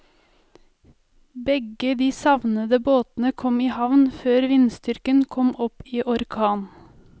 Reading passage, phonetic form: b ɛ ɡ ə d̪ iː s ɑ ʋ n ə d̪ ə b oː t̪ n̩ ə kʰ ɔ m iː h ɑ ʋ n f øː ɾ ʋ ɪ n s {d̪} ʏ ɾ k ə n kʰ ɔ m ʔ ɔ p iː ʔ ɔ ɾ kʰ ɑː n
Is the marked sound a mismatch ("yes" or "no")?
yes